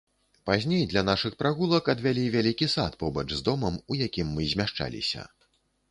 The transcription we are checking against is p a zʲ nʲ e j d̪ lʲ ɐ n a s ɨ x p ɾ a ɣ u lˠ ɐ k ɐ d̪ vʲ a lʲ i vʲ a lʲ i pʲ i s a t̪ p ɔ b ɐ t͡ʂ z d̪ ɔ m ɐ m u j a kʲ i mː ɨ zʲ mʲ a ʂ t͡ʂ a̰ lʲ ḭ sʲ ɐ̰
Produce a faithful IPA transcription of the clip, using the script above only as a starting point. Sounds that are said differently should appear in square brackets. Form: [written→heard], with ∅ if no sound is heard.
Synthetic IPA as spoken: p a zʲ nʲ e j d̪ lʲ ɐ n a [s→ʂ] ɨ x p ɾ a ɣ u lˠ ɐ k ɐ d̪ vʲ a lʲ i vʲ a lʲ i [pʲ→kʲ] i s a t̪ p ɔ b ɐ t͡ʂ z d̪ ɔ m ɐ m u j a kʲ i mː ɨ zʲ mʲ a ʂ t͡ʂ a̰ lʲ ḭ sʲ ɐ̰